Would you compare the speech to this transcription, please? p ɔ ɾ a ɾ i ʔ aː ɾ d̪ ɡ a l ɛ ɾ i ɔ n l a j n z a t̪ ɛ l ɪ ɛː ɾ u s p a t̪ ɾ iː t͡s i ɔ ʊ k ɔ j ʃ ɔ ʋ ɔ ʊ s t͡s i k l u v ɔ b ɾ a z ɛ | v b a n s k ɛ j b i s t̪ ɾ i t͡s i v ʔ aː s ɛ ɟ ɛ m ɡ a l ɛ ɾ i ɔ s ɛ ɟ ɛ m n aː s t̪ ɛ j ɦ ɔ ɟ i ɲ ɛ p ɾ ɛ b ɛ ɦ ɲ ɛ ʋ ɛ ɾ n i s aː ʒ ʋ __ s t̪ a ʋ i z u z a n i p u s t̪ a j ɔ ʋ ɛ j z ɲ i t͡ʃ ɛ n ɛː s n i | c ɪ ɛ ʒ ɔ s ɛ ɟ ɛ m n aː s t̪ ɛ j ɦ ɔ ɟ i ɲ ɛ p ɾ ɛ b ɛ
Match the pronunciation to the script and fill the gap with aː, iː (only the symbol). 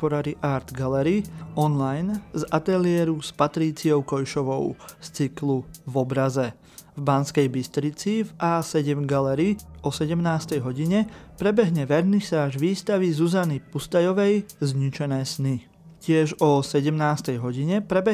iː